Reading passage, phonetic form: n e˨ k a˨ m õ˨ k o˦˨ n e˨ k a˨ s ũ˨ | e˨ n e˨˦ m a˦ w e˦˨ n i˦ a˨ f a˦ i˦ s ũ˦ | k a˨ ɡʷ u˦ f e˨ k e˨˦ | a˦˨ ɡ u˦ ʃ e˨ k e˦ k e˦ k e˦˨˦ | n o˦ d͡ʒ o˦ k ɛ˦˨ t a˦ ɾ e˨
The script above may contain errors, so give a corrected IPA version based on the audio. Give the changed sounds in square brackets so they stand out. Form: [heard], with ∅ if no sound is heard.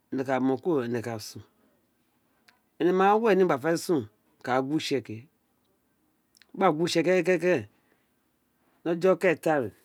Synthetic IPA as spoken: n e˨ k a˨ m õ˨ k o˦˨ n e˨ k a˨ s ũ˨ | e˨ n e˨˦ m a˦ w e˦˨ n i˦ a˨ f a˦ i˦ s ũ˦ | k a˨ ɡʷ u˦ [ʃ] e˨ k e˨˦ | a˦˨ ɡ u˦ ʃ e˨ k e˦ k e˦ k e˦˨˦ | n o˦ d͡ʒ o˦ k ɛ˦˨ t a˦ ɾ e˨